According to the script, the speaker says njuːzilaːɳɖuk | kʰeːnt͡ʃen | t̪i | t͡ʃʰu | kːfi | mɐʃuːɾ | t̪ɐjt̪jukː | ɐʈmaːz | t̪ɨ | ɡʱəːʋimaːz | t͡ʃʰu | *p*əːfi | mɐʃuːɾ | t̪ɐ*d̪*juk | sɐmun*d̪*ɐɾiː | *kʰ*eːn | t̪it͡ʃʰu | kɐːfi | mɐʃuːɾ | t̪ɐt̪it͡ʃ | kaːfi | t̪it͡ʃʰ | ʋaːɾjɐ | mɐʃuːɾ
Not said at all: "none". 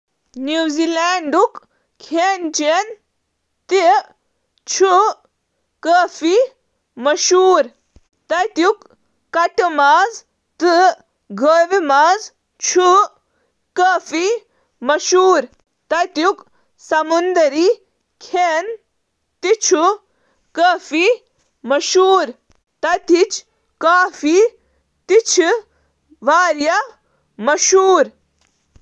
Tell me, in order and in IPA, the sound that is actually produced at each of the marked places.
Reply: k, t̪, d̪, kʰ

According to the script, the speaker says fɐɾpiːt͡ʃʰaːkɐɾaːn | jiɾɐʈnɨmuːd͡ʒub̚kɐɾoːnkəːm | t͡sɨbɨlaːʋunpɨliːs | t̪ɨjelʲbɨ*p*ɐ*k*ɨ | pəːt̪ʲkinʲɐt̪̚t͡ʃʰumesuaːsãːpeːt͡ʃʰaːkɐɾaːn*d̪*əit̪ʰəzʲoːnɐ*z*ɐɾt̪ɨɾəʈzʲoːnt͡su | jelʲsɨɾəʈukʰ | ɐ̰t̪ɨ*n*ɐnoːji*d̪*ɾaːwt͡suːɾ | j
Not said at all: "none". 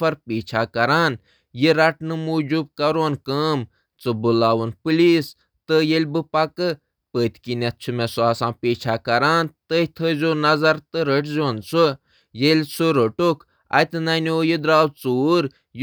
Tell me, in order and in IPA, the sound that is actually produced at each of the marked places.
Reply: p, k, t̪, z, n, d̪

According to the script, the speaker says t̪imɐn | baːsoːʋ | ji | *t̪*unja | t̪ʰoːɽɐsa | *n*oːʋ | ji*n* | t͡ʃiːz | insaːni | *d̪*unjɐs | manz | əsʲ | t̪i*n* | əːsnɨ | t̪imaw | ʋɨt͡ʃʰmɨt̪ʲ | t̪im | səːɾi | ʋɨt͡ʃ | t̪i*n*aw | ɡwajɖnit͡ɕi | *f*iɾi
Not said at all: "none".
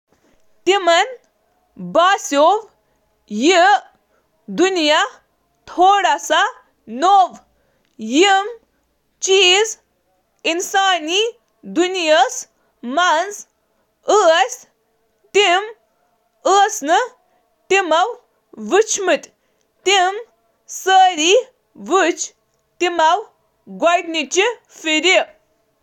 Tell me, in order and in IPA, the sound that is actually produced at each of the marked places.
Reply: d̪, n, m, d̪, m, m, f

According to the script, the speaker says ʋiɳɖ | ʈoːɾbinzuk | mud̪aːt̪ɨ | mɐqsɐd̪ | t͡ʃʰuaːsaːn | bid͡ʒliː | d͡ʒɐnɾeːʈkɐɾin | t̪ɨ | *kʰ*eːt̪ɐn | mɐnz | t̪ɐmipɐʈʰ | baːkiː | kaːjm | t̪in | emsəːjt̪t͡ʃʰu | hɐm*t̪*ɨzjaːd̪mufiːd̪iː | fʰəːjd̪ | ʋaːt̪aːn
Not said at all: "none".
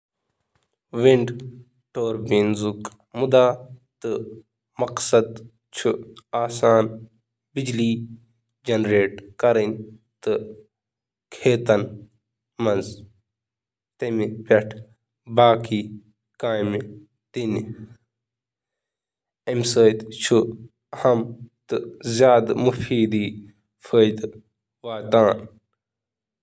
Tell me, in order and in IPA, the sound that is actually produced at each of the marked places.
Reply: kʰ, t̪

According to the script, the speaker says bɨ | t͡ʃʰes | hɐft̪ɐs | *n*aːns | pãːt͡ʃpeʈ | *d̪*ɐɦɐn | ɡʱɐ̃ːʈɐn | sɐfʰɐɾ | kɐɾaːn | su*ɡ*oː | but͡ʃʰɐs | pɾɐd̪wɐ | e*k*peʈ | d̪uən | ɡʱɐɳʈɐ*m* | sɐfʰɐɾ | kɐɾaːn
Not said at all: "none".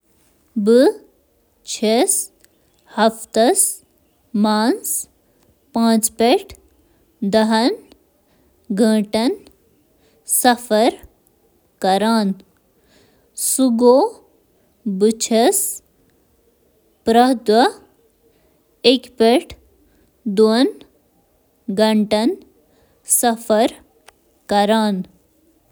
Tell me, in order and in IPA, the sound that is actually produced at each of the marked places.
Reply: m, d̪, ɡ, k, n

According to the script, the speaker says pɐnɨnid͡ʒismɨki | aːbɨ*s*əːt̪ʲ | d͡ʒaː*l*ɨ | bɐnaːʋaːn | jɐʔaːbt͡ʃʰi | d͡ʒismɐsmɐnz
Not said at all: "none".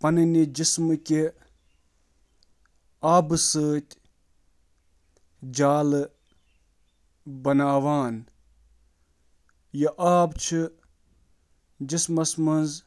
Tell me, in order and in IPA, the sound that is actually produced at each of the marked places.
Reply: s, l

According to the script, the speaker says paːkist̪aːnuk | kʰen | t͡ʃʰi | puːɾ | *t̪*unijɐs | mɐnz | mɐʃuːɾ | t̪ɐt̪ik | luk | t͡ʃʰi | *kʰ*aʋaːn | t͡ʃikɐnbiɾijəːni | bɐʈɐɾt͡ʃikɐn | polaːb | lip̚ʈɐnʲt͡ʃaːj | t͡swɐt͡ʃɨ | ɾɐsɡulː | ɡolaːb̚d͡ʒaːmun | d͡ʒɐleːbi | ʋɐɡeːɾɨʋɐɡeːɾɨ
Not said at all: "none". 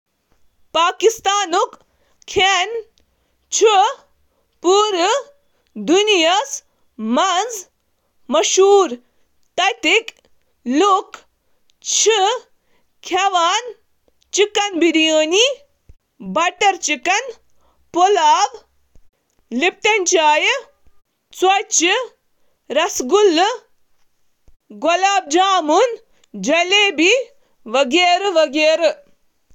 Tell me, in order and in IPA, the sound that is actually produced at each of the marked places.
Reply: d̪, kʰ

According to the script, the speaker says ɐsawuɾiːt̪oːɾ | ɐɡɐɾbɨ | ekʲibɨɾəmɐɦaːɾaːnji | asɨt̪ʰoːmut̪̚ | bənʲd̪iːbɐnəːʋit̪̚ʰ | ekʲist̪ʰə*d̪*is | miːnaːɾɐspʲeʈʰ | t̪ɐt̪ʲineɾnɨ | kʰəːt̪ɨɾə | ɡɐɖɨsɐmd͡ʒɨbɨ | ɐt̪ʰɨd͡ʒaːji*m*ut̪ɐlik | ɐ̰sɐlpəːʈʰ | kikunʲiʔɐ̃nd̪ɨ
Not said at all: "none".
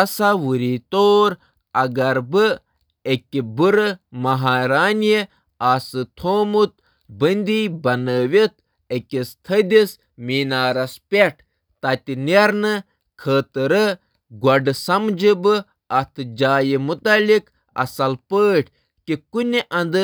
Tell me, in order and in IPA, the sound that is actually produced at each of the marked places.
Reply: d̪, m

